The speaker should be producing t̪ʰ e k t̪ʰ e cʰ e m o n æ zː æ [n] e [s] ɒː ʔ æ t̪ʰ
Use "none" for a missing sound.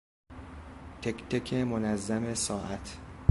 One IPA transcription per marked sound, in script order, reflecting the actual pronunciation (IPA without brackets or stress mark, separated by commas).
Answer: m, s